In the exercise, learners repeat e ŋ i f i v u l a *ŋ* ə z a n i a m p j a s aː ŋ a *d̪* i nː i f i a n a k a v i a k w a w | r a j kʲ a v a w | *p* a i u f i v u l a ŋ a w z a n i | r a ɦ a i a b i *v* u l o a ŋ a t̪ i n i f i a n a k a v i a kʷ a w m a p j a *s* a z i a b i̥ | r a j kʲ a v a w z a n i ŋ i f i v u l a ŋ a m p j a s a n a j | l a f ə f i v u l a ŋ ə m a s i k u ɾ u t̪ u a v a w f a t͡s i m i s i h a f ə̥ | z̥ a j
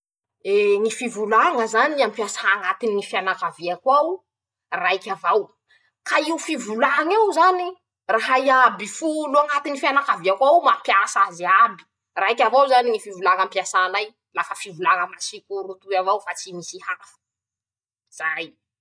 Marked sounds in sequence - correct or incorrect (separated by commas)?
correct, incorrect, incorrect, incorrect, correct